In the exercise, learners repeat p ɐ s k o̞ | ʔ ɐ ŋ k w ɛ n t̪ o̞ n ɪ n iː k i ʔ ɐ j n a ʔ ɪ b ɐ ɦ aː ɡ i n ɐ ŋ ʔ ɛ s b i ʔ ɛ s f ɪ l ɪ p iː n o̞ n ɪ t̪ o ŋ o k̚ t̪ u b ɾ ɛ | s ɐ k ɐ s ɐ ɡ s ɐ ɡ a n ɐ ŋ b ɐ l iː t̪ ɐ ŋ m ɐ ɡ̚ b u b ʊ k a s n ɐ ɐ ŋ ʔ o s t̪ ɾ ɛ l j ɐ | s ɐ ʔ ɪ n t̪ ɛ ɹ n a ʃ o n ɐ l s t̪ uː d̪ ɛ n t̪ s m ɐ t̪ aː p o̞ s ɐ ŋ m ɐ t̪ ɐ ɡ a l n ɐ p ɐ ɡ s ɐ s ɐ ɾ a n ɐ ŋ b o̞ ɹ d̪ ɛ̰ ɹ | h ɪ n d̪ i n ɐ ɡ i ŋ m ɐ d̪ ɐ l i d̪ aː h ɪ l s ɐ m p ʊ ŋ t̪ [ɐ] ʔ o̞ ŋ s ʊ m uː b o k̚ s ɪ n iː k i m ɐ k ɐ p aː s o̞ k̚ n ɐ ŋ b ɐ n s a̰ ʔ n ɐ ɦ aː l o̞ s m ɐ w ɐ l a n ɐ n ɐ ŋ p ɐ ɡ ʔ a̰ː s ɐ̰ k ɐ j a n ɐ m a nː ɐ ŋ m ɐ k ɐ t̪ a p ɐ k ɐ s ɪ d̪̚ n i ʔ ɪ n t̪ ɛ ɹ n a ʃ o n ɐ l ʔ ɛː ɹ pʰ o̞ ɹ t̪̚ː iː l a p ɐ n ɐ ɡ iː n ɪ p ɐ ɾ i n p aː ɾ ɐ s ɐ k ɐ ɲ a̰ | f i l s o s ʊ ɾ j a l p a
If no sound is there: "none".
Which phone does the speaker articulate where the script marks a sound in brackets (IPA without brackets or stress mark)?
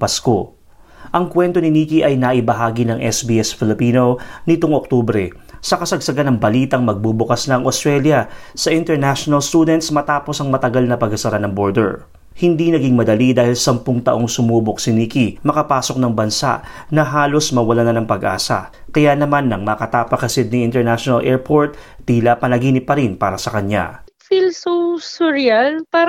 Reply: ɐ